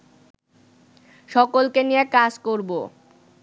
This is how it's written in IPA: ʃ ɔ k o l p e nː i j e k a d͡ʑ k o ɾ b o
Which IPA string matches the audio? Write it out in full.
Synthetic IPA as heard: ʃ ɔ k o l k e n i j e k a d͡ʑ k o ɾ b o